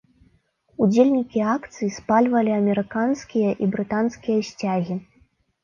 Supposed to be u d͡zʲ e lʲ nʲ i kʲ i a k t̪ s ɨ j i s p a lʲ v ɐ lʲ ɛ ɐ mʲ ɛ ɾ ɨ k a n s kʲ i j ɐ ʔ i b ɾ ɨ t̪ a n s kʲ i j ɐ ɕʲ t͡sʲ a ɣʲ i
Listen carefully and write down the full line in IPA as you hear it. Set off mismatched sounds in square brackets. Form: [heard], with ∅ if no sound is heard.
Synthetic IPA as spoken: u d͡zʲ e lʲ nʲ i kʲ i a k t̪ s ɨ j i s p a lʲ v ɐ lʲ [i] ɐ mʲ ɛ ɾ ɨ k a n s kʲ i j ɐ ʔ i b ɾ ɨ t̪ a n s kʲ i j ɐ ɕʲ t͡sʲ a ɣʲ i